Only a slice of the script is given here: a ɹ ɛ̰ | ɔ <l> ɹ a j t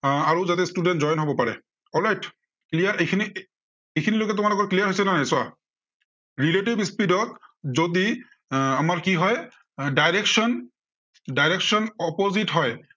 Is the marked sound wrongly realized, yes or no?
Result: no